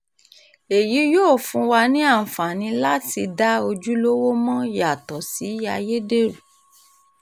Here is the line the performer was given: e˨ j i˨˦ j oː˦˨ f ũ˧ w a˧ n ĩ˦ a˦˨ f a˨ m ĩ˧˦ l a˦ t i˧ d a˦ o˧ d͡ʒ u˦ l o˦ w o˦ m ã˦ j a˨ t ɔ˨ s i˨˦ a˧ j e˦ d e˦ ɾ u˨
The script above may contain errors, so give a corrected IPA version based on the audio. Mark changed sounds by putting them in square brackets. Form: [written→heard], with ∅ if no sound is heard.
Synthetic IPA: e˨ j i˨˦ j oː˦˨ f ũ˧ w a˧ n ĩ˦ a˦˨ f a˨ [m→n] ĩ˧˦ l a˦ t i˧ d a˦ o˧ d͡ʒ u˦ l o˦ w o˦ m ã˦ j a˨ t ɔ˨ s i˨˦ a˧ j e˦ d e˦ ɾ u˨

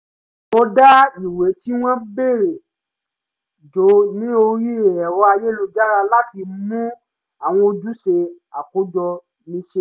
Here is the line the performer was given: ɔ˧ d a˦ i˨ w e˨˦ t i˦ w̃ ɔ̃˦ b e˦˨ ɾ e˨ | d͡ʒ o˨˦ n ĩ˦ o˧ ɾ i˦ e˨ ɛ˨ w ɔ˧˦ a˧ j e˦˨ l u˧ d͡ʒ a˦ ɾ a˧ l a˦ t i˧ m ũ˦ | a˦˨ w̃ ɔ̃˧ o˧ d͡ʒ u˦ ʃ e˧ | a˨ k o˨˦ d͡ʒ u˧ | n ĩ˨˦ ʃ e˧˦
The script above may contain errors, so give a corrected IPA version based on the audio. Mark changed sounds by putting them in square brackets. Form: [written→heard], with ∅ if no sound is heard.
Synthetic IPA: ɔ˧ d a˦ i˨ w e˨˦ t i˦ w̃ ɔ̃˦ b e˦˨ ɾ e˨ | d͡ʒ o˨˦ n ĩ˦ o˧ ɾ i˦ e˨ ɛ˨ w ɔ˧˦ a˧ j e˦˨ l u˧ d͡ʒ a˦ ɾ a˧ l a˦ t i˧ m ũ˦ | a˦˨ w̃ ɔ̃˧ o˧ d͡ʒ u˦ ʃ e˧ | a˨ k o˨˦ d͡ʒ [u˧→ɔ˧] | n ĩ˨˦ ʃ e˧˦

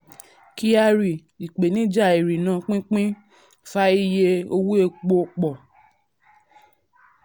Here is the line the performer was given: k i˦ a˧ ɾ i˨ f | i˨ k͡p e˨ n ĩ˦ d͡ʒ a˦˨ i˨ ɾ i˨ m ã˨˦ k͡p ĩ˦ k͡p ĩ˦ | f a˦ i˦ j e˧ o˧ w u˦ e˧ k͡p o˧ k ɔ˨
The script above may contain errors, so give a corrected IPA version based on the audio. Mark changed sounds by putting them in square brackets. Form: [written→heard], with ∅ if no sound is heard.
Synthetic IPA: k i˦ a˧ ɾ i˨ [f→∅] | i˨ k͡p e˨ n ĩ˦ d͡ʒ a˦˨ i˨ ɾ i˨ [m→n] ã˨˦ k͡p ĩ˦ k͡p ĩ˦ | f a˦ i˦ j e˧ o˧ w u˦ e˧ k͡p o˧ [k→k͡p] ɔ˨

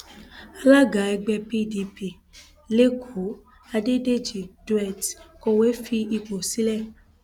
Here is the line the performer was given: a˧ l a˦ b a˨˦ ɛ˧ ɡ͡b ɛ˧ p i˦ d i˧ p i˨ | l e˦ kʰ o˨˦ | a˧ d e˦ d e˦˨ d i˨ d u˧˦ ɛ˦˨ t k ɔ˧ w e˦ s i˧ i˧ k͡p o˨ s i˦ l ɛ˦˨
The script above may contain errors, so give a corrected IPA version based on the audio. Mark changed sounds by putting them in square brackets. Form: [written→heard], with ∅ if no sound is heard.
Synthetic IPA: a˧ l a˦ [b→ɡ] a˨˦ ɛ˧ ɡ͡b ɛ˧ p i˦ d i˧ p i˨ | l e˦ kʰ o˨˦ | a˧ d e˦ d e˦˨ [d→d͡ʒ] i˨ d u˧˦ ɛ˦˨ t k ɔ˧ w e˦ [s→f] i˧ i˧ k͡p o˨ s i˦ l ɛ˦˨

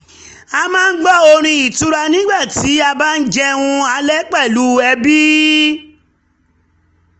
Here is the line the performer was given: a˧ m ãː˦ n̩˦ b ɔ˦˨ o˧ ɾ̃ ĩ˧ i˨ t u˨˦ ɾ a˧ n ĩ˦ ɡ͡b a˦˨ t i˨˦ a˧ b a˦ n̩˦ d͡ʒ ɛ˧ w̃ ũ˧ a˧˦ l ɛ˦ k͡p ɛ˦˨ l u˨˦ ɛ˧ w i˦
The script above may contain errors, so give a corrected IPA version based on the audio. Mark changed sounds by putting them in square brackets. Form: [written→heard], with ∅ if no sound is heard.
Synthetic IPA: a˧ m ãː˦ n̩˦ [b→ɡ͡b] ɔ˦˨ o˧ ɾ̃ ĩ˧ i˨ t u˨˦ ɾ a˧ n ĩ˦ ɡ͡b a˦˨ t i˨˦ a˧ b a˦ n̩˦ d͡ʒ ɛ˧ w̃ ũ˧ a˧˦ l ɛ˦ k͡p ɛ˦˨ l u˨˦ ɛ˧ [w→b] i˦

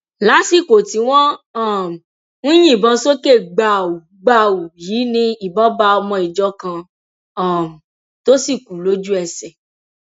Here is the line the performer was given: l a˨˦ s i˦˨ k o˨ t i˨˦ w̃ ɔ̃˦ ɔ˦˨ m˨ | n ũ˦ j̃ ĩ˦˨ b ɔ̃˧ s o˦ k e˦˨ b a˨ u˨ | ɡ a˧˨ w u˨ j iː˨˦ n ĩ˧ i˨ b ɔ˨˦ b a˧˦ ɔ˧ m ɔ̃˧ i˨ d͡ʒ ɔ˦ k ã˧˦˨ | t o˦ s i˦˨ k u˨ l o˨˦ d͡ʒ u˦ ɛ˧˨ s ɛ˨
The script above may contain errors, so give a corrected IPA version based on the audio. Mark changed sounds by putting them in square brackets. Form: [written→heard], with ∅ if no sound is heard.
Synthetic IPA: l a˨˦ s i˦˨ k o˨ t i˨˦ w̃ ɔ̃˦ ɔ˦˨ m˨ | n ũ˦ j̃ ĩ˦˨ b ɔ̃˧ s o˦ k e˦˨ [b→ɡ͡b] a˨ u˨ | [ɡ→ɡ͡b] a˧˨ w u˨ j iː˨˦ n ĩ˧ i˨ b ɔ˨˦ b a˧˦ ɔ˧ m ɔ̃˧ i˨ d͡ʒ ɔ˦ k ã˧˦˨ | t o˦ s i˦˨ k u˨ l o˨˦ d͡ʒ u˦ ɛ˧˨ s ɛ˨

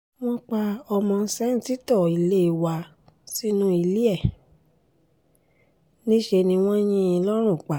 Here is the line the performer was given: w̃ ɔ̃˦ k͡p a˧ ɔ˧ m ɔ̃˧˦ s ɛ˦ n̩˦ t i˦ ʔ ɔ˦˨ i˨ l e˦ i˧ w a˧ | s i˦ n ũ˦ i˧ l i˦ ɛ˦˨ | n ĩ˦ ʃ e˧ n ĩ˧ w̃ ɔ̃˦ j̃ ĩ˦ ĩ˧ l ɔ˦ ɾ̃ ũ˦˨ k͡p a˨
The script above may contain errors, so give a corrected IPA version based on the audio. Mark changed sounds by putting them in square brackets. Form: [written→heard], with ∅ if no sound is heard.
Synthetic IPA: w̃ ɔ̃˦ k͡p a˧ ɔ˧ m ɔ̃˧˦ s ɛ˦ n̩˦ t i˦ [ʔ→t] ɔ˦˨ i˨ l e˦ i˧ w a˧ | s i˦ n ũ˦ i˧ l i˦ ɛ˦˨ | n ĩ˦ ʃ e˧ n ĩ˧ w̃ ɔ̃˦ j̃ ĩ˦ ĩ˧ l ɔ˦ ɾ̃ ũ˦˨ k͡p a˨

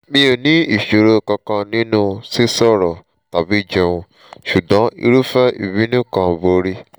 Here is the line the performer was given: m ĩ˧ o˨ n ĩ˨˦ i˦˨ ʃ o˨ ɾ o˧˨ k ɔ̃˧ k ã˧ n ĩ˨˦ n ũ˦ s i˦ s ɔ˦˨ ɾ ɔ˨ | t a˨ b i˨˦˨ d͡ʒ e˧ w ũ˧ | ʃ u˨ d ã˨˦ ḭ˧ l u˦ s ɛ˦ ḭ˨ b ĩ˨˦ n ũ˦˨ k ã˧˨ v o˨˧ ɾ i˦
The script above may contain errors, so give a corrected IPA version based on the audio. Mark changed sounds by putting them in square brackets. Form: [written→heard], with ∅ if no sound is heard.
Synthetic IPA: m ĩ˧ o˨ n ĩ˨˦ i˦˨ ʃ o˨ ɾ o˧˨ k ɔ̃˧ k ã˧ n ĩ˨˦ n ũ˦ s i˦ s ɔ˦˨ ɾ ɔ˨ | t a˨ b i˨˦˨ d͡ʒ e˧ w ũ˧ | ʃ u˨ d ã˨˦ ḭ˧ [l→ɾ] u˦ [s→f] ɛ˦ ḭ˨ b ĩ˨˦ n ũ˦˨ k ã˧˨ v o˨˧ ɾ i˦

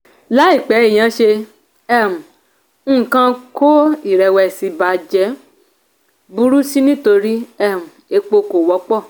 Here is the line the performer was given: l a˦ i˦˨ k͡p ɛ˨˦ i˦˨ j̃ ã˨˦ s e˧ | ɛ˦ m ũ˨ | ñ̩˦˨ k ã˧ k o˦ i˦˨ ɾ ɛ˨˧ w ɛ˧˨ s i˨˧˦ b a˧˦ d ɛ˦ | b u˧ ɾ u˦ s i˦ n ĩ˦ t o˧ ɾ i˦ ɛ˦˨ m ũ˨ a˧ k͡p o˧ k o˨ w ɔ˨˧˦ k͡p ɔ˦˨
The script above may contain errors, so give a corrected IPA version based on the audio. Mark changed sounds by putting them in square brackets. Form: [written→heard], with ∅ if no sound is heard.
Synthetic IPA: l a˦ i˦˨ k͡p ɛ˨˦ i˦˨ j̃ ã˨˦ [s→ʃ] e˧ | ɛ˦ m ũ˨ | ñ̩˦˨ k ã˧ k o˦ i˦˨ ɾ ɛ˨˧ w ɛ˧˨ s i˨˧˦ b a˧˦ [d→d͡ʒ] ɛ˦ | b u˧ ɾ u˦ s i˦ n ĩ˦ t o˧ ɾ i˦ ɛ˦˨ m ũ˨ [a˧→e˧] k͡p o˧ k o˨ w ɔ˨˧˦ k͡p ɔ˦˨

